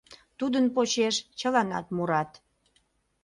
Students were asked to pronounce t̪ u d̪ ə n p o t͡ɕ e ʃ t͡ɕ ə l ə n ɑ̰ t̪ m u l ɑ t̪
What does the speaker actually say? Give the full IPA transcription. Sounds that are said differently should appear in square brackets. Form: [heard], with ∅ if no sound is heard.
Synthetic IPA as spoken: t̪ u d̪ ə n p o t͡ɕ e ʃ t͡ɕ ə l [ɑ] n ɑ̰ t̪ m u [ɾ] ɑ t̪